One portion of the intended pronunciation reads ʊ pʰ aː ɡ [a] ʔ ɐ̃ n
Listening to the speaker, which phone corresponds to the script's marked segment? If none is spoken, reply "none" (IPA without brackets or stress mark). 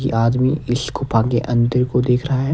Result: e